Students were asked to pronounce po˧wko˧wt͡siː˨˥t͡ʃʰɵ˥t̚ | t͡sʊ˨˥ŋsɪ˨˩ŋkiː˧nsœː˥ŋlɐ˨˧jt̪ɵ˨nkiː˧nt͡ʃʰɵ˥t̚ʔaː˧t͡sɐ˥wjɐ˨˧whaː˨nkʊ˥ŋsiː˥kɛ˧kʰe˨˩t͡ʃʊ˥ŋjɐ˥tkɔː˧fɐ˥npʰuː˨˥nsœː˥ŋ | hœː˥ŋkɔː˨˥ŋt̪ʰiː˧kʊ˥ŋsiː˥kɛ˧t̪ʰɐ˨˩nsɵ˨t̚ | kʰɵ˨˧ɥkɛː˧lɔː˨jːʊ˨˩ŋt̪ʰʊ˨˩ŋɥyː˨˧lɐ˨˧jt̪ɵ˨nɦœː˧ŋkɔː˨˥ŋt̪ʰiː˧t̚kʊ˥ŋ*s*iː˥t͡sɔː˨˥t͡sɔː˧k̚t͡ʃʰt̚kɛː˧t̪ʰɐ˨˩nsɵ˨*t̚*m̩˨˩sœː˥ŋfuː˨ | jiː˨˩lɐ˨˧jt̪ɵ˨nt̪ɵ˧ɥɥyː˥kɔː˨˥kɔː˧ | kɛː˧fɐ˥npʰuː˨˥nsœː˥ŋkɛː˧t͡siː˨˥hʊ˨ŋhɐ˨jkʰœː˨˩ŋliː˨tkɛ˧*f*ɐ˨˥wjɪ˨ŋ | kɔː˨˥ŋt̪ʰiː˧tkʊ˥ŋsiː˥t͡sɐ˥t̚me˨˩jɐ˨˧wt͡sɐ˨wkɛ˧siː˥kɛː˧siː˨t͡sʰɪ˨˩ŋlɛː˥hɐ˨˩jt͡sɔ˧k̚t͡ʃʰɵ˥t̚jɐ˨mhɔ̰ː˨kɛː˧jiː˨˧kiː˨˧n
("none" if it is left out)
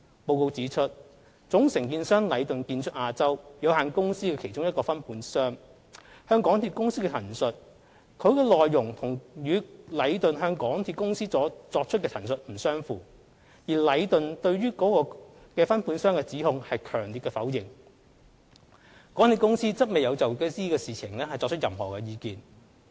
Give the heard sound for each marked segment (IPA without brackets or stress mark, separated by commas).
s, t̚, f